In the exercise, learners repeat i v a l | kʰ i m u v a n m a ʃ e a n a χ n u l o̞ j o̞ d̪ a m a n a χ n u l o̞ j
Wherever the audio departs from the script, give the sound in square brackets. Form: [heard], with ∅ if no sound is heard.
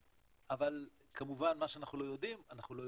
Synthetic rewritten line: [a] v a l | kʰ [a] m u v a n m a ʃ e a n a χ n u l o̞ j o̞ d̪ [i] m a n a χ n u l o̞ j